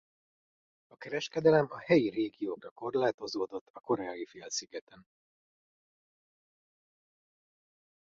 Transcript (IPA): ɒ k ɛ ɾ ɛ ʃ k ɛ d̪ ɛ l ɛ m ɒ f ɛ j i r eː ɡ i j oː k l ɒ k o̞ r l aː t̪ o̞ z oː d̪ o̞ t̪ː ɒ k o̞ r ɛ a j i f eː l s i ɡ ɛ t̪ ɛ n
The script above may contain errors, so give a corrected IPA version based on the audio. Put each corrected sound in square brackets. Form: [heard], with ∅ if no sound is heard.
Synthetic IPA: ɒ k ɛ ɾ ɛ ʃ k ɛ d̪ ɛ l ɛ m ɒ [h] ɛ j i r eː ɡ i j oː k [r] ɒ k o̞ r l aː t̪ o̞ z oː d̪ o̞ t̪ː ɒ k o̞ [ɾ] ɛ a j i f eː l s i ɡ ɛ t̪ ɛ n

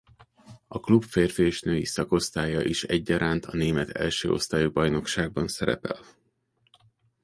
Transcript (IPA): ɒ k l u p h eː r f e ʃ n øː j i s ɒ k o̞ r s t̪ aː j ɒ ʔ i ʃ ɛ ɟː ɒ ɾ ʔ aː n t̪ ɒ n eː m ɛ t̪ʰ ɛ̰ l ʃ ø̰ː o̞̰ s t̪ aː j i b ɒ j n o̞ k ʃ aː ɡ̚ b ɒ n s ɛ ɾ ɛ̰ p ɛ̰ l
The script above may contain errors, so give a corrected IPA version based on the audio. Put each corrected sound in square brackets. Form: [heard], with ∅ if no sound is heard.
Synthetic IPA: ɒ k l u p [f] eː r f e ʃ n øː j i s ɒ k o̞ [∅] s t̪ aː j ɒ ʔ i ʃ ɛ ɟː ɒ ɾ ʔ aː n t̪ ɒ n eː m ɛ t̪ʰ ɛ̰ l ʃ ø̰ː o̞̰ s t̪ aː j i b ɒ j n o̞ k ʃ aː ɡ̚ b ɒ n s ɛ ɾ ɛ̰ p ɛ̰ l

